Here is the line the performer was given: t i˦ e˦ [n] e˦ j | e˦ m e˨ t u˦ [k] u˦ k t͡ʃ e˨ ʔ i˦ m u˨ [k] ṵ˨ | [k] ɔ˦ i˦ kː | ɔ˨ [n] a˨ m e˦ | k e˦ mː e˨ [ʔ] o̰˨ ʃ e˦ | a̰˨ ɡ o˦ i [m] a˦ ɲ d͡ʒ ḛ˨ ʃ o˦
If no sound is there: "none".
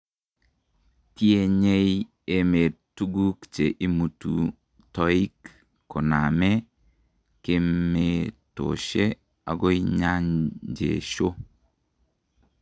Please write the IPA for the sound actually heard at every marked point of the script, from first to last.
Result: ɲ, ɡ, t, t, n, t, ɲ

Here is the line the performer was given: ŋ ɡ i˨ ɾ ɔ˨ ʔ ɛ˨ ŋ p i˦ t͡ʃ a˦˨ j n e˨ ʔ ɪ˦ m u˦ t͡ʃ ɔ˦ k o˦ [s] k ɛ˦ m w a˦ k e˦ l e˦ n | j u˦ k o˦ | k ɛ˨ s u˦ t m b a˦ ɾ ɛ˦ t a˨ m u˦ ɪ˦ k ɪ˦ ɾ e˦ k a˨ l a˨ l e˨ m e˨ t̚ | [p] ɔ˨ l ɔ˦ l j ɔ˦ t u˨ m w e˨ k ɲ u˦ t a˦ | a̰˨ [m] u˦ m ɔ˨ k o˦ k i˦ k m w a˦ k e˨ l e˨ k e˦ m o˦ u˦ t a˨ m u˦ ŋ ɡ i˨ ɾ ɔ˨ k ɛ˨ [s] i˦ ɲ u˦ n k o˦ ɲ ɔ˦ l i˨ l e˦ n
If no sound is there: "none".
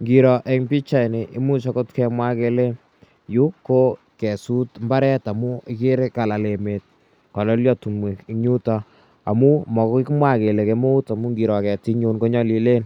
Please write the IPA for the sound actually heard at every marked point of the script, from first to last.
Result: t, k, m, t

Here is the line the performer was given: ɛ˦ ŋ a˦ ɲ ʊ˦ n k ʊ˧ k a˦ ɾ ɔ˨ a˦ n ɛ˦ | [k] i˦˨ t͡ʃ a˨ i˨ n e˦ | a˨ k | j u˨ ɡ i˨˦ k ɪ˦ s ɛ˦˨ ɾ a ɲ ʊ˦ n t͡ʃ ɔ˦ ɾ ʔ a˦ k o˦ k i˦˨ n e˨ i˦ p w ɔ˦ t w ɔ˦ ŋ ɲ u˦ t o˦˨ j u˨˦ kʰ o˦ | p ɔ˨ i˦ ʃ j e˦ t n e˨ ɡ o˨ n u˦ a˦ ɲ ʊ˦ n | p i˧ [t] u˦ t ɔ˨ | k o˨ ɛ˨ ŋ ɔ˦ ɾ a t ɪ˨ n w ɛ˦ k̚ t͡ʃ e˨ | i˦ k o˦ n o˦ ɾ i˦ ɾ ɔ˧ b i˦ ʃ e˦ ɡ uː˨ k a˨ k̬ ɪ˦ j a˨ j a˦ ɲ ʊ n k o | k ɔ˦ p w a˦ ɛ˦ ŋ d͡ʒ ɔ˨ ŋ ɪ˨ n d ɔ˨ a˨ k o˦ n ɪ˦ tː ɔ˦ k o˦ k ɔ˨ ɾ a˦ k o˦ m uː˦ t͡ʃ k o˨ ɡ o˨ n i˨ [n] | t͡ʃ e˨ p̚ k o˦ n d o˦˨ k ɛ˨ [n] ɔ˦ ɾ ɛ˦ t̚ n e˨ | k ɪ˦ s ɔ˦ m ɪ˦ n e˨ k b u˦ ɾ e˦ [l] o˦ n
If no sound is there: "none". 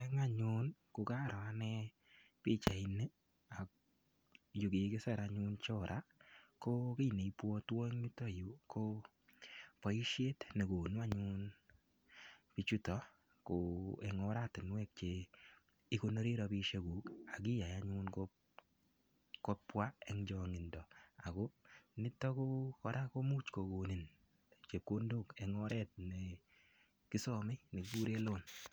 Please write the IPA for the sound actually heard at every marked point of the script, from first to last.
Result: p, t͡ʃ, n, ŋ, l

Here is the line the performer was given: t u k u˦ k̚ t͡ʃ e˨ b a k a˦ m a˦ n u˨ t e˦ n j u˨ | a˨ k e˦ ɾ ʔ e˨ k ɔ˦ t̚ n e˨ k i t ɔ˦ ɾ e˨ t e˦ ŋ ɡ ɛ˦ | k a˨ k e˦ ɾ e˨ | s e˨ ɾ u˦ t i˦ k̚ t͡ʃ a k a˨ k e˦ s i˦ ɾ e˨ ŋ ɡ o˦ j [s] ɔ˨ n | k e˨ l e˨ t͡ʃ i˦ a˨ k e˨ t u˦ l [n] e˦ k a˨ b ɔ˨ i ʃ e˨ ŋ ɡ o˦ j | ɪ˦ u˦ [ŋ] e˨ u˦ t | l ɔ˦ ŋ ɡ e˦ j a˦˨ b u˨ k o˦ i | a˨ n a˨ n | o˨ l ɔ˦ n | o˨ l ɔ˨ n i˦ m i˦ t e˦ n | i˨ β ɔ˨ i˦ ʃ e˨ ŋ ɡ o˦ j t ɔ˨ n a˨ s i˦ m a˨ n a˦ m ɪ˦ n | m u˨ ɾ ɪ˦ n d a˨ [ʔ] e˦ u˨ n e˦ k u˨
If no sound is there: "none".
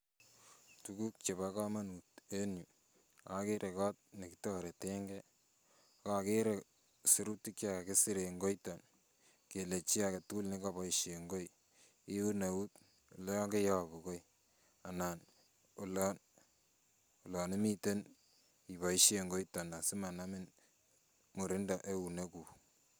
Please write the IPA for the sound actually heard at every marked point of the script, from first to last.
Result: t, n, n, ʔ

